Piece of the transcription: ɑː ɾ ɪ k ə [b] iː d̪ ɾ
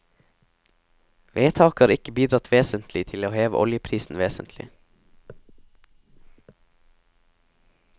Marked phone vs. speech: correct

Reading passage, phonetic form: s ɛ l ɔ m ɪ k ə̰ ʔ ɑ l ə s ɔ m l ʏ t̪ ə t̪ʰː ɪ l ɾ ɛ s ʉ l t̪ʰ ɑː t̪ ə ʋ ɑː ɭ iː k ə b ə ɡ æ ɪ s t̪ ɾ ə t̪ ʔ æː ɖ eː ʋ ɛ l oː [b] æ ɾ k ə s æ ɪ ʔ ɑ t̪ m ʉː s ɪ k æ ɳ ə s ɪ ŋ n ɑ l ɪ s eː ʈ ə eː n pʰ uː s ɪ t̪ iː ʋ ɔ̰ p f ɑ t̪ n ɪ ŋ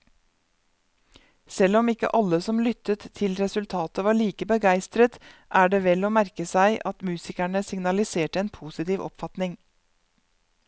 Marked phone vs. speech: incorrect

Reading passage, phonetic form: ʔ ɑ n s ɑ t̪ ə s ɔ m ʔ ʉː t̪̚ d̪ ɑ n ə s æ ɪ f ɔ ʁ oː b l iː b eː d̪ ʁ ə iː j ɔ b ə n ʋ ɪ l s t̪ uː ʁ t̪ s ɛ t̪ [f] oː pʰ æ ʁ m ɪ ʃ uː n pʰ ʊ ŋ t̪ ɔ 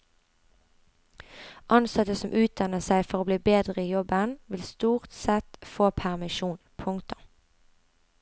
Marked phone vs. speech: correct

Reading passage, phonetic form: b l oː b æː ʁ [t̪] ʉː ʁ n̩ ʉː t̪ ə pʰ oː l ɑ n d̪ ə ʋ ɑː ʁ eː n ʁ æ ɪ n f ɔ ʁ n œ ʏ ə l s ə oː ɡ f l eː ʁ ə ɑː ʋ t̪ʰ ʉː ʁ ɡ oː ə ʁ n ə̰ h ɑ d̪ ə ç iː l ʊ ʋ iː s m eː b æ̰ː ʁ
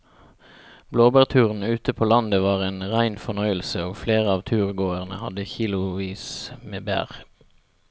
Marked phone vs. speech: incorrect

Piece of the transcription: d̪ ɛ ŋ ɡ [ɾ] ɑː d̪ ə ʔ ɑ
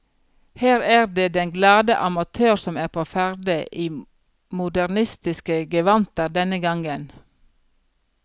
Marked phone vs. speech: incorrect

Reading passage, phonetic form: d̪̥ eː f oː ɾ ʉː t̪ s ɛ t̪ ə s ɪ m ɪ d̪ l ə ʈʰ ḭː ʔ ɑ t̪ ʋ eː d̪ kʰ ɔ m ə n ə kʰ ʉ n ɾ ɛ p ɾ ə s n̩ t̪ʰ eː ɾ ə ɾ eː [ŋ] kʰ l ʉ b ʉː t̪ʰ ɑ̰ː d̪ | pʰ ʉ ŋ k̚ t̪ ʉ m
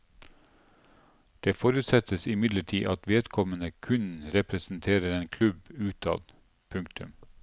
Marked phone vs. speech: incorrect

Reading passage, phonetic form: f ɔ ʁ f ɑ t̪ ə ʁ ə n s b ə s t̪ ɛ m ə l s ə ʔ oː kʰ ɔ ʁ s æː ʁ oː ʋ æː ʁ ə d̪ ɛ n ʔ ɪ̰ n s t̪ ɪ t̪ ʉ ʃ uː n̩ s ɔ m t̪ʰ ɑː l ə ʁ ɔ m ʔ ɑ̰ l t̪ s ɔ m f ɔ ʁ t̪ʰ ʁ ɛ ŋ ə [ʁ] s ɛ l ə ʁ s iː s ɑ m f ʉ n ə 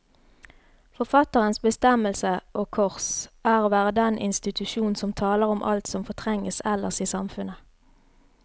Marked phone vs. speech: incorrect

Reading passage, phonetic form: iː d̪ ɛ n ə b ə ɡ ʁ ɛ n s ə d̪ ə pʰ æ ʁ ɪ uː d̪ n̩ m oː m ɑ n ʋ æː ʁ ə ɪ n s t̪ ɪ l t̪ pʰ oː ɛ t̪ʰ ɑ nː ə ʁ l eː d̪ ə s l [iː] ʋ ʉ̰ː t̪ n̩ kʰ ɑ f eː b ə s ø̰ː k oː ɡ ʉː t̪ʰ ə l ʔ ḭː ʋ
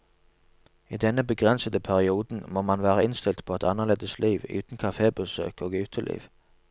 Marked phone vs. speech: correct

